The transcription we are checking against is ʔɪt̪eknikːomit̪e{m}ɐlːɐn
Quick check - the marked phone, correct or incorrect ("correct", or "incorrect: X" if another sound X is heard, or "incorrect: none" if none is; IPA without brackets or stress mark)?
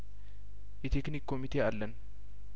incorrect: none